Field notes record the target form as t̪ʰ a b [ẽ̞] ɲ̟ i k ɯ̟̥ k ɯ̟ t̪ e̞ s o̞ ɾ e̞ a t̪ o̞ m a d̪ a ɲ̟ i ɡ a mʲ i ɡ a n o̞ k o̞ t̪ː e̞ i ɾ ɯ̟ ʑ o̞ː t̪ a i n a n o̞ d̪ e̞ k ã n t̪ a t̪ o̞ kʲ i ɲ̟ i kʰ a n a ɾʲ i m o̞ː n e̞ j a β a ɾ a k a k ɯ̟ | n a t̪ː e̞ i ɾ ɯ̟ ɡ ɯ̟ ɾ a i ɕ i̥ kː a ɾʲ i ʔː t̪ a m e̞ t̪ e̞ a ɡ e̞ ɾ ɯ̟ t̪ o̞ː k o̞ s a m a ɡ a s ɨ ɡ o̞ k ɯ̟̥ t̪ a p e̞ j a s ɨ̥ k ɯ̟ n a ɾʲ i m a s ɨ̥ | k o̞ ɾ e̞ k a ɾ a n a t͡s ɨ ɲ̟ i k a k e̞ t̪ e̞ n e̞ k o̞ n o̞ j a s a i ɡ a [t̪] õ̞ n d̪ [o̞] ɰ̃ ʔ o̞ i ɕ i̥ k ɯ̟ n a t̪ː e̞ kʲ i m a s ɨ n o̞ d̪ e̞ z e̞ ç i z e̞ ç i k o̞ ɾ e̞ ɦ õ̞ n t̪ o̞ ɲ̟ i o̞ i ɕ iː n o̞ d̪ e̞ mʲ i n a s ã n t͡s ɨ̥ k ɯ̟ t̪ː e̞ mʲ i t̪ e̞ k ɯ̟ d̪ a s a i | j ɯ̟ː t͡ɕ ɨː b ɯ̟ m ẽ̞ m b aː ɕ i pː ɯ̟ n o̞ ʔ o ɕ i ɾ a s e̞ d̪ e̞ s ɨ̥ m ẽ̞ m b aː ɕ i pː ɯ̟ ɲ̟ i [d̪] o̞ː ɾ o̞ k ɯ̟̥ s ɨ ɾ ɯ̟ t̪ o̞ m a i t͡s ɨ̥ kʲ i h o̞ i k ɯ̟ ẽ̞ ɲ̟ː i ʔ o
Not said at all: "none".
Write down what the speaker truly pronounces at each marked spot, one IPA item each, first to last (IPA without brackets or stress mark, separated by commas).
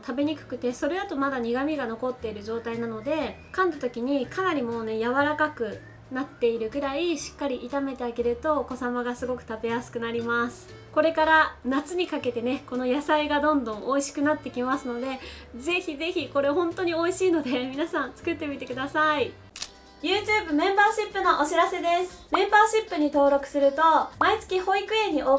e̞, d̪, õ̞, t̪